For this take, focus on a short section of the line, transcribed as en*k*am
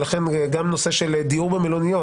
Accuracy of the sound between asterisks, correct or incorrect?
incorrect: ɡ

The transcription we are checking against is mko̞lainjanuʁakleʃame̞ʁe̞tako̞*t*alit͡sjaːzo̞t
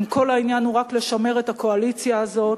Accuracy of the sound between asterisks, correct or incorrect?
incorrect: none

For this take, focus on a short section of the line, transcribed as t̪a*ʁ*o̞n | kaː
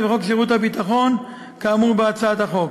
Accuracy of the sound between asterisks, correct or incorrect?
incorrect: χ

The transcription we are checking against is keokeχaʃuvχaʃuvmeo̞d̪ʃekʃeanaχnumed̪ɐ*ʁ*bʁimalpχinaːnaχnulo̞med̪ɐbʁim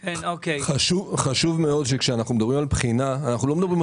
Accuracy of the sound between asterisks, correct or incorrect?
incorrect: none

